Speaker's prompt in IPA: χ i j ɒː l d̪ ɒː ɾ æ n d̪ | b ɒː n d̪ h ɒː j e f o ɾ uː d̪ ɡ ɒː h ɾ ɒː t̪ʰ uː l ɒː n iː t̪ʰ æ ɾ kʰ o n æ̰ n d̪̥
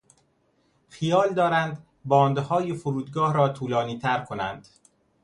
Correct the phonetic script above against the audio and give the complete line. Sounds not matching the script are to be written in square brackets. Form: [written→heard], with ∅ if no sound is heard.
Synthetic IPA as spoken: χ i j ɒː l d̪ ɒː ɾ æ n d̪ | b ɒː n d̪ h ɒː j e f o ɾ uː d̪ ɡ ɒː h ɾ ɒː t̪ʰ uː l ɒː n iː t̪ʰ æ ɾ kʰ o n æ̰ n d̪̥